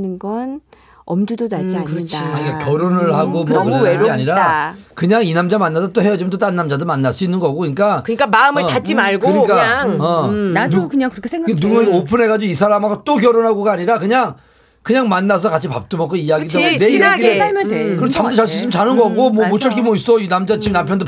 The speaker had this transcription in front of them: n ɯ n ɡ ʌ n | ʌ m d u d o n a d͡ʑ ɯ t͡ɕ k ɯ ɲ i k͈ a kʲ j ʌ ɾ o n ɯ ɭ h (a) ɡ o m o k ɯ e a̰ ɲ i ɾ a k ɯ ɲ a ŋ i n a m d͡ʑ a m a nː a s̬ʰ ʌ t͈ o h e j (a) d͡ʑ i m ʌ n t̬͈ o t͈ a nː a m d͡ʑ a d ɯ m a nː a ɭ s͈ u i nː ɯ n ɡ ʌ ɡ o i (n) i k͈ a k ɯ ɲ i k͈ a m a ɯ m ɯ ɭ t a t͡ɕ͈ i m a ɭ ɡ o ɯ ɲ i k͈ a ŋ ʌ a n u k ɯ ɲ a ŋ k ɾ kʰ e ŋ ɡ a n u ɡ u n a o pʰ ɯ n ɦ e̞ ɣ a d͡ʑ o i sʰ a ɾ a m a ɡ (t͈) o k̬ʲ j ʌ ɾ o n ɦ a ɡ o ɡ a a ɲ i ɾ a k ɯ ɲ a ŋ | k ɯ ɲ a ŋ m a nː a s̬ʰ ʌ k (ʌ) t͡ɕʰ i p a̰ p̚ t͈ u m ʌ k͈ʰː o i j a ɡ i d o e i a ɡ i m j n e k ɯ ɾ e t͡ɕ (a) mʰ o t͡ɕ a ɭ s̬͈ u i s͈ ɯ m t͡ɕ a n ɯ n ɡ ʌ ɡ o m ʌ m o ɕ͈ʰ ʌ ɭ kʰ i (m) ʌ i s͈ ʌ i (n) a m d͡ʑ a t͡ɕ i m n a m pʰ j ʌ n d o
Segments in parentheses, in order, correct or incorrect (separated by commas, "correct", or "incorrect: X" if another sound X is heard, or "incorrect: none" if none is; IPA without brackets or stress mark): correct, incorrect: ʌ, incorrect: ɲ, correct, incorrect: a, correct, correct, correct